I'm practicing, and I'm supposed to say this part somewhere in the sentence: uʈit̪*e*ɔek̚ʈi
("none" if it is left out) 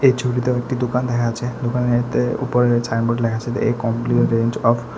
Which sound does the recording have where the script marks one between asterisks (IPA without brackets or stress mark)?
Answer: e